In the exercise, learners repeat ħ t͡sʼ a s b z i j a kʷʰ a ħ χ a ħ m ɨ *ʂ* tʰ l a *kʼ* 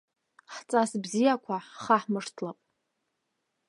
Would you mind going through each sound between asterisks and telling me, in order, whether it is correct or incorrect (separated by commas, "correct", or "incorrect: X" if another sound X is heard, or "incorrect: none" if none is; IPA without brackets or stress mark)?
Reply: correct, incorrect: pʼ